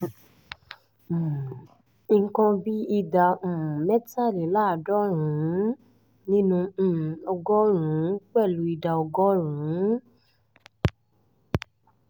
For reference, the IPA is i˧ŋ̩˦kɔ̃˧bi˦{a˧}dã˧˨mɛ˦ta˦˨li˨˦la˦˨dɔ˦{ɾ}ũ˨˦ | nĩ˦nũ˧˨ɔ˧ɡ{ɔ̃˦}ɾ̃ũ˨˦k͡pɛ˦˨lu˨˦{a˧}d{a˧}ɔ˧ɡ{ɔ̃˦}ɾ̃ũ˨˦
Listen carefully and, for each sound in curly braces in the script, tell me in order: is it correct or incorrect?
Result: incorrect: i˧, correct, incorrect: ɔ˦, incorrect: i˧, correct, incorrect: ɔ˦

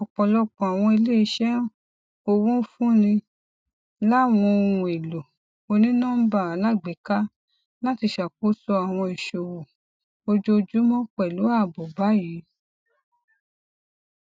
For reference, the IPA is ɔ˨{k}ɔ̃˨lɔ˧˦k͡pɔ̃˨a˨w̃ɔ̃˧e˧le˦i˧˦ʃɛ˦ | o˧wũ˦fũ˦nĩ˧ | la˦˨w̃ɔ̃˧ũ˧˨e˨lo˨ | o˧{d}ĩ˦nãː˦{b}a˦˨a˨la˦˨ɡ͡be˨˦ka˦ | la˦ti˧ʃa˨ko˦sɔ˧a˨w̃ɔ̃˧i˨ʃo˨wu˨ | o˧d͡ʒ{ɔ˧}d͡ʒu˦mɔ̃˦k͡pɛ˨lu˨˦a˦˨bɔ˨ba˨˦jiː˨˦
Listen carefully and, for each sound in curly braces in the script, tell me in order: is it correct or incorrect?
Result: incorrect: k͡p, incorrect: n, correct, incorrect: o˧

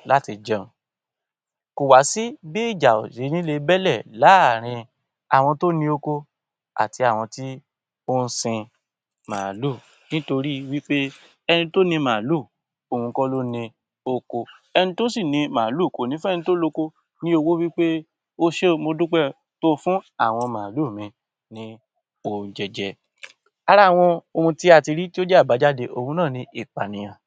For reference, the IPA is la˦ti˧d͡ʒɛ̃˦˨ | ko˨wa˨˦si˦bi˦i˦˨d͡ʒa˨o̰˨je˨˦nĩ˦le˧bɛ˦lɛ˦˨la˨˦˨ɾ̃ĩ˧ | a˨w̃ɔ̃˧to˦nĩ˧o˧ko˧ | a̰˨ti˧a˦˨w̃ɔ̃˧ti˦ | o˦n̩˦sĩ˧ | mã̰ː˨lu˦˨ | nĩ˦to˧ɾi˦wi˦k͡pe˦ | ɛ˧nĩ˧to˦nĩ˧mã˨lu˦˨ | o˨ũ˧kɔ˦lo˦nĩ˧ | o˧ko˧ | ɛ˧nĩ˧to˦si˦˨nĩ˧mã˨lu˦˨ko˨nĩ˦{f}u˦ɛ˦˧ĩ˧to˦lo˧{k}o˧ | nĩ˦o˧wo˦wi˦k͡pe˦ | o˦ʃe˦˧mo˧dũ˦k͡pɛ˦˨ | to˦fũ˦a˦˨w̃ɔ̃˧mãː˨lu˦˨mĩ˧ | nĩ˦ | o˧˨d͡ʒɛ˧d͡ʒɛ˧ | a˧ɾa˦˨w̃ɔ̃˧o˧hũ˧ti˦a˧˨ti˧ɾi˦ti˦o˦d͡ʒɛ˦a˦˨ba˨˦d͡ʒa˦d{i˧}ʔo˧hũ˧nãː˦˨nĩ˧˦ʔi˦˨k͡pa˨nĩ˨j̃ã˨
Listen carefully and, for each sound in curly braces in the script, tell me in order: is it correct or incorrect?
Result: correct, correct, incorrect: e˧

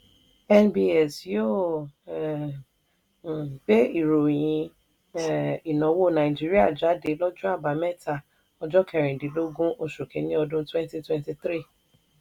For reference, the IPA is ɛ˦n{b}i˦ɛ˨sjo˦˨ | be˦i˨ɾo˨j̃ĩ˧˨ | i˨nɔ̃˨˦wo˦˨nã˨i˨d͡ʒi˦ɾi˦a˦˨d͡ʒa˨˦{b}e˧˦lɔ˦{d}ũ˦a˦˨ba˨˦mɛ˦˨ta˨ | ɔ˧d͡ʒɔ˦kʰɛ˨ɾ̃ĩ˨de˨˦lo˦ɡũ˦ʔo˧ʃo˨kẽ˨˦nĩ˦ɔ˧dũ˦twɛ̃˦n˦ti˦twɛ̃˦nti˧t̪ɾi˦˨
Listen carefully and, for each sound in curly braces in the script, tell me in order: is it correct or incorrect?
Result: correct, incorrect: d, incorrect: d͡ʒ

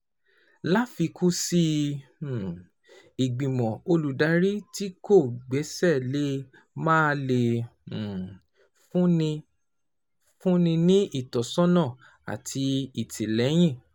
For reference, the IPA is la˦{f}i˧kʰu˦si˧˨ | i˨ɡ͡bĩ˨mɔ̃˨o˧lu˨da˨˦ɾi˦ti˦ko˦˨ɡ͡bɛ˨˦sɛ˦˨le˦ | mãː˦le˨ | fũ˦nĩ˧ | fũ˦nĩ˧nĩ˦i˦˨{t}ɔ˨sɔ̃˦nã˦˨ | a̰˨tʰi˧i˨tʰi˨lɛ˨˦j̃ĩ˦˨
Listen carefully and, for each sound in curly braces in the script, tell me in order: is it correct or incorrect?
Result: correct, correct

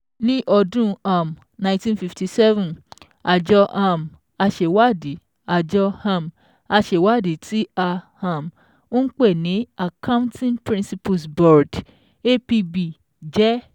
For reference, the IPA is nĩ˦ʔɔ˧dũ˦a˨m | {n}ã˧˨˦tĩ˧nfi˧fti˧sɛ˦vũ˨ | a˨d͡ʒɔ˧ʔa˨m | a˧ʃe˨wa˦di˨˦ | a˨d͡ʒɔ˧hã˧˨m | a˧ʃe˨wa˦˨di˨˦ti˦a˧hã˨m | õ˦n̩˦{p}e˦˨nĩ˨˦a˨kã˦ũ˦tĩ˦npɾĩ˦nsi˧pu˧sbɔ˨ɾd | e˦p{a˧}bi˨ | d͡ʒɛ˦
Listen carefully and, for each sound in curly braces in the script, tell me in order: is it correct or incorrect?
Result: correct, incorrect: k͡p, incorrect: i˧

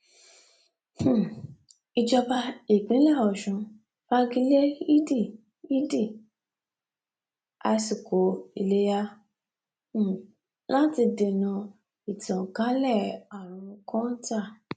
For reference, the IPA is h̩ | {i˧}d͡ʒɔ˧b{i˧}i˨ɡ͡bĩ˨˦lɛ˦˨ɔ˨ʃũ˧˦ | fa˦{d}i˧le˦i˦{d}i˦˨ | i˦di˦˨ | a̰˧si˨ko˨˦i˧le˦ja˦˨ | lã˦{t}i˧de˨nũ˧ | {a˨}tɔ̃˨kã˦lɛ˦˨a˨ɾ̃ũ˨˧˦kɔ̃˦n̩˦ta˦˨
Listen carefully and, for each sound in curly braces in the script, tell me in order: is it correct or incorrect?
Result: correct, incorrect: a˧, incorrect: ɡ, correct, correct, incorrect: i˨

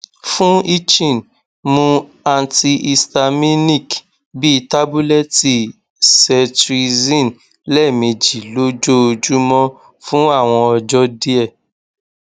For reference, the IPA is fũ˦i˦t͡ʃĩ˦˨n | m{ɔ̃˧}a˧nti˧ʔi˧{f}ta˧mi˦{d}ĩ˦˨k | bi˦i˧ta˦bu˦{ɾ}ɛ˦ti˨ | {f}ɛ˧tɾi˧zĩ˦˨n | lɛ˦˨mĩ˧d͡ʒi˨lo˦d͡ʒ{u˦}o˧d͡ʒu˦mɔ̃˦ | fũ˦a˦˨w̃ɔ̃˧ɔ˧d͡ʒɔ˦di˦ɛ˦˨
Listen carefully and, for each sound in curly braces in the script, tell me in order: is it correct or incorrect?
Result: incorrect: ũ˧, incorrect: s, incorrect: n, incorrect: l, incorrect: s, incorrect: o˦

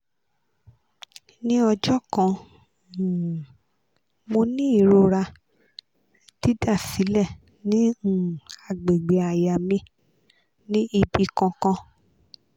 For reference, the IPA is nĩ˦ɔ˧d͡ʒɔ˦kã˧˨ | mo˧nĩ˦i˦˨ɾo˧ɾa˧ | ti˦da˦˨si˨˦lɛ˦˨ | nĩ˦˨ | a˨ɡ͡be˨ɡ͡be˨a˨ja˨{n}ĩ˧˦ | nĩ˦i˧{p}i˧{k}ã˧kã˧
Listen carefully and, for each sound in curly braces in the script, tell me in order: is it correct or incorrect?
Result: incorrect: m, incorrect: b, correct

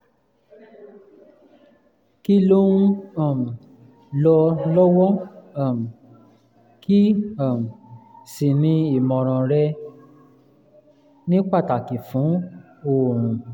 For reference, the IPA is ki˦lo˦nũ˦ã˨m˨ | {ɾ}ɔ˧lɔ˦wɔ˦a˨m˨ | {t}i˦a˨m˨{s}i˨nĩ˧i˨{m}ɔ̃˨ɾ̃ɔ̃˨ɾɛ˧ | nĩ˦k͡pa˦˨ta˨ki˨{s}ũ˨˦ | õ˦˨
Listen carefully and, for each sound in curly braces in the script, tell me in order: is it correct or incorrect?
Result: incorrect: l, incorrect: k, correct, correct, incorrect: f

